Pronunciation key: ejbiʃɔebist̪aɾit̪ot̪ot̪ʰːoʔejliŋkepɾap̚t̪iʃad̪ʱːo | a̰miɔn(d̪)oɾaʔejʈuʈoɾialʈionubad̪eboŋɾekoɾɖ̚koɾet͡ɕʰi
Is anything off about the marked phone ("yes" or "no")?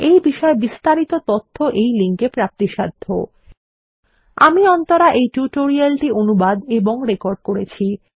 yes